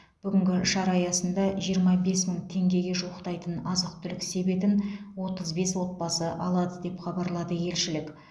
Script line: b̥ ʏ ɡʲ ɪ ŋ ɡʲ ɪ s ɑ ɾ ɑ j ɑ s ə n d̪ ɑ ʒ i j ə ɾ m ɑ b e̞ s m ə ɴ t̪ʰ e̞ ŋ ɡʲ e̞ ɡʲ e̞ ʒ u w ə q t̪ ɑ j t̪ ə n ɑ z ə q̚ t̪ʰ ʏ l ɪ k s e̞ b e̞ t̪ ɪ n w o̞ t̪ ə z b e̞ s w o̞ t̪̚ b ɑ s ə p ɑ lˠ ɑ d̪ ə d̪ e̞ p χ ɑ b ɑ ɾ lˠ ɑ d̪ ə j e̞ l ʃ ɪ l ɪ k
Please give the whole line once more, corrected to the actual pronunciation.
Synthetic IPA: b̥ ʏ ɡʲ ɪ ŋ ɡʲ ɪ ʃ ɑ ɾ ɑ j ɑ s ə n d̪ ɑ ʒ i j ə ɾ m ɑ b e̞ s m ə ɴ t̪ʰ e̞ ŋ ɡʲ e̞ ɡʲ e̞ ʒ u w ə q t̪ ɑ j t̪ ə n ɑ z ə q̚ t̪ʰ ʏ l ɪ k s e̞ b e̞ t̪ ɪ n w o̞ t̪ ə z b e̞ s w o̞ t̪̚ b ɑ s ə ʔ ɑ lˠ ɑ d̪ ə d̪ e̞ p χ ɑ b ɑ ɾ lˠ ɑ d̪ ə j e̞ l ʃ ɪ l ɪ k